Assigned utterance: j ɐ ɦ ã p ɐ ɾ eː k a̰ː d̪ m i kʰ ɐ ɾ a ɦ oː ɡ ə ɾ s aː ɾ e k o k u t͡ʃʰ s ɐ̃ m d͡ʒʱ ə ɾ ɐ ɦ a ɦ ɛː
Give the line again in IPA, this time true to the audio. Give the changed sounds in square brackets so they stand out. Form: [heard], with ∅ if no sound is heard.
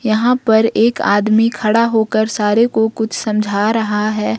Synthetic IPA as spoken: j ɐ ɦ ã p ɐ ɾ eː k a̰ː d̪ m i kʰ ɐ [ɽ] a ɦ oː [k] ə ɾ s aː ɾ e k o k [ʊ] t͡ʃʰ s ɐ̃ m d͡ʒʱ [a] ɾ ɐ ɦ a ɦ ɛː